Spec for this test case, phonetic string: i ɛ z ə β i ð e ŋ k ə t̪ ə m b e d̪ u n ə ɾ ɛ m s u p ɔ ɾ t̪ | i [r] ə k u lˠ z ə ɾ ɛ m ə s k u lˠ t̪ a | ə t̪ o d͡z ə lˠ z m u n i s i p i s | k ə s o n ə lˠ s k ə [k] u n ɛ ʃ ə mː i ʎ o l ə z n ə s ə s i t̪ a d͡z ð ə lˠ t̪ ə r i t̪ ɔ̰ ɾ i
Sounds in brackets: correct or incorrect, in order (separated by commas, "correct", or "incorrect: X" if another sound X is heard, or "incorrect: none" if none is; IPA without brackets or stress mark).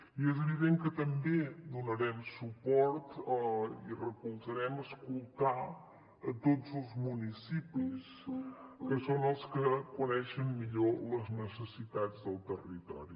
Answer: correct, correct